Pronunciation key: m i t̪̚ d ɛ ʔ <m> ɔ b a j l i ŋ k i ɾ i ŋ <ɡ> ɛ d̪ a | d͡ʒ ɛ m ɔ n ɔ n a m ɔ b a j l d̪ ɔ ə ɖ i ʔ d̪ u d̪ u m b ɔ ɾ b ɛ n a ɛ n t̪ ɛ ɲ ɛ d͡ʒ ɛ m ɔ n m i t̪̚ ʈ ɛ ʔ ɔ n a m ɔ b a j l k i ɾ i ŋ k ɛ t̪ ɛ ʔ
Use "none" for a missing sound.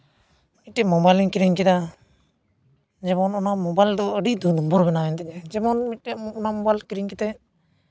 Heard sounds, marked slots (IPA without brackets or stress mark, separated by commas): m, k